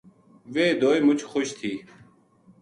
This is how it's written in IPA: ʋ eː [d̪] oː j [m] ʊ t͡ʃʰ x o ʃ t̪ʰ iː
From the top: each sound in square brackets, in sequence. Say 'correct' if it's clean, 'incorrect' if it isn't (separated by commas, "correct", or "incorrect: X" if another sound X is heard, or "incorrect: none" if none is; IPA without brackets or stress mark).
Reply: correct, correct